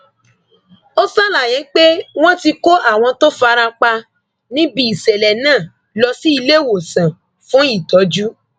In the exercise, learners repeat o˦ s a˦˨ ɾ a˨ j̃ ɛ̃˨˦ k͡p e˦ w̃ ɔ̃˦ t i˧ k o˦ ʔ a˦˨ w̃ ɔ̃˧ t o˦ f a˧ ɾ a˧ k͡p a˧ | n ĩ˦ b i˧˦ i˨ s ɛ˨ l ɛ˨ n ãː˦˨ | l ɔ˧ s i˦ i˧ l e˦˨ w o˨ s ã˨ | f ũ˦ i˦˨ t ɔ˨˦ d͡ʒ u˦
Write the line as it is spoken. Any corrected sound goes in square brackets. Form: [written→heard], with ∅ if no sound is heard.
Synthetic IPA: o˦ s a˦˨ [ɾ→l] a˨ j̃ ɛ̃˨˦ k͡p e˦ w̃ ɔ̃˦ t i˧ k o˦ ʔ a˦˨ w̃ ɔ̃˧ t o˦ f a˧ ɾ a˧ k͡p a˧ | n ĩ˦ b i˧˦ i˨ s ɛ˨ l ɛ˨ n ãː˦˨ | l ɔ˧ s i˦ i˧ l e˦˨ w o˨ s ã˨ | f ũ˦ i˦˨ t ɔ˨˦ d͡ʒ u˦